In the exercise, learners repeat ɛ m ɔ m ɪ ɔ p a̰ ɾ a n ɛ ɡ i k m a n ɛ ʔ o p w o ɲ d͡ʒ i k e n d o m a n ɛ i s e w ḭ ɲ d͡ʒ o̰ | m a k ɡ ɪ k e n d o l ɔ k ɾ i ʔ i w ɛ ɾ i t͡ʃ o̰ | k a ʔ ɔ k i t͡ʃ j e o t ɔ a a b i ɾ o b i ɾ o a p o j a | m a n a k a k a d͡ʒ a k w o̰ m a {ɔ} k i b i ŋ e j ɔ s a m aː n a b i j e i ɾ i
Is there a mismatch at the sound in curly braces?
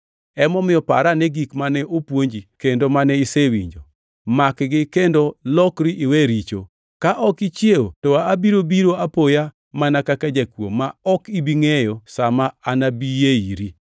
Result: no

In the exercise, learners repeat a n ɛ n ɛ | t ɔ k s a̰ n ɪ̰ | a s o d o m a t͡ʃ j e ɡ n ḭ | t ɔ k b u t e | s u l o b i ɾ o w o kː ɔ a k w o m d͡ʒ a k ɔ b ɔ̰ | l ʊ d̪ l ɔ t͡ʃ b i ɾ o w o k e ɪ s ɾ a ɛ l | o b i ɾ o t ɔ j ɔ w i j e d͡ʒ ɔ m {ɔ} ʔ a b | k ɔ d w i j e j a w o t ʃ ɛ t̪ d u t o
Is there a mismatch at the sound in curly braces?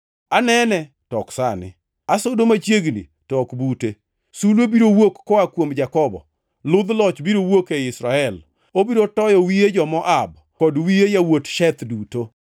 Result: no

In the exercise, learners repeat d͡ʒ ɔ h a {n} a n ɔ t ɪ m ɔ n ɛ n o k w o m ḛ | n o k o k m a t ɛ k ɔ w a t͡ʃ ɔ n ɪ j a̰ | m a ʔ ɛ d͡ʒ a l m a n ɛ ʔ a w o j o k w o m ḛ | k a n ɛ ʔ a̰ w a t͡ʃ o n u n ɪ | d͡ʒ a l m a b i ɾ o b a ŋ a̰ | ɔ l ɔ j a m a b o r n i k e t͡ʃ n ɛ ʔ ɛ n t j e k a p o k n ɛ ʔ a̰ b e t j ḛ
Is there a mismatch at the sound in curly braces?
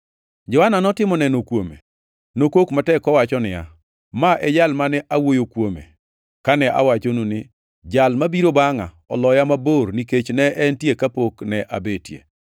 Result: no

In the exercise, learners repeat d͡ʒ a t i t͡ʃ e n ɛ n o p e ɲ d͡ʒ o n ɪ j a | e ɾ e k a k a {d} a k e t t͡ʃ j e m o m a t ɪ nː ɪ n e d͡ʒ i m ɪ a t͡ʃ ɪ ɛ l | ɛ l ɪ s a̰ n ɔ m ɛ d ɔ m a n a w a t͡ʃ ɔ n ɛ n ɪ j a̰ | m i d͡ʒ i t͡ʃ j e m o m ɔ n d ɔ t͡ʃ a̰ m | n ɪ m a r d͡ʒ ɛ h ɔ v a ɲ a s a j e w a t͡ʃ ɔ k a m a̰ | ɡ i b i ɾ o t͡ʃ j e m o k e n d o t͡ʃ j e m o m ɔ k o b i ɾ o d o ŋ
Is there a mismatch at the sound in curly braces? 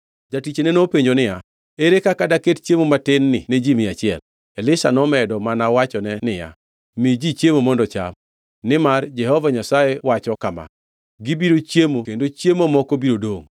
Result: no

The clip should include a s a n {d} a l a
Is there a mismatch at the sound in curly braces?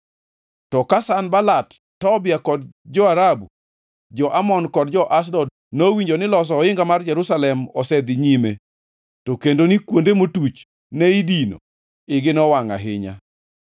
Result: yes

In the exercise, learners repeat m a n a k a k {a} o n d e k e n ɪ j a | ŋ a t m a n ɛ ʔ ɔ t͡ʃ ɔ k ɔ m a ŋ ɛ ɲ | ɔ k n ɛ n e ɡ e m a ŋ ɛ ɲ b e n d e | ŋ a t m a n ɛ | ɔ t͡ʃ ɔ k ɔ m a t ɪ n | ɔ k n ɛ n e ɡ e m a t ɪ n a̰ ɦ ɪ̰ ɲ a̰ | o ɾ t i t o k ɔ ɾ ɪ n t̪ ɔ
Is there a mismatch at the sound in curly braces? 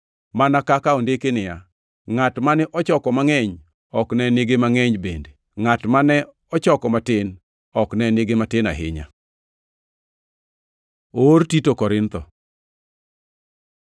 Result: no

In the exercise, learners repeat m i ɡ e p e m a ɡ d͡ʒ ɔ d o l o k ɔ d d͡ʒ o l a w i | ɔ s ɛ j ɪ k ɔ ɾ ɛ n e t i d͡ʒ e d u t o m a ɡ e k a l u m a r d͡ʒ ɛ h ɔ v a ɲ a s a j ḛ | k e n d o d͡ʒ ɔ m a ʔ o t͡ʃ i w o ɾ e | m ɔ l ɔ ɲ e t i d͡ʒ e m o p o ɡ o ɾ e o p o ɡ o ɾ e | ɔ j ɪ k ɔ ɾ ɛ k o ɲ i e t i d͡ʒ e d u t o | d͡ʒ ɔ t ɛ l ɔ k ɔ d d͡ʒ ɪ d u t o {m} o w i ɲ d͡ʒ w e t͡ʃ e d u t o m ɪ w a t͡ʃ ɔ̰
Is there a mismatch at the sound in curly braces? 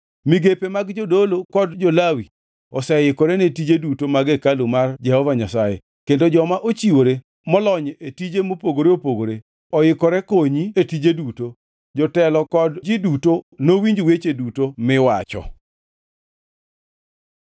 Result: yes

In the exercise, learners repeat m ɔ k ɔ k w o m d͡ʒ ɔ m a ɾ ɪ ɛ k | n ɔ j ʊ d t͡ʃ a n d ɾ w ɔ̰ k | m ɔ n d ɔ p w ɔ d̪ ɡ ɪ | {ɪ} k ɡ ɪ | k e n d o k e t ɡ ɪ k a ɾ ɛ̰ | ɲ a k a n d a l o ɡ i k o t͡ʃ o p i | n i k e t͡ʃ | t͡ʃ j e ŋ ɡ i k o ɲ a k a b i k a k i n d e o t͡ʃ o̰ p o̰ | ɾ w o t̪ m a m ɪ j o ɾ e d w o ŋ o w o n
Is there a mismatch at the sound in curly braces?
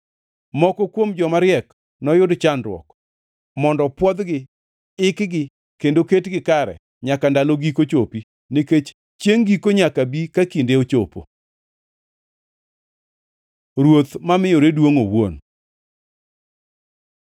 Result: no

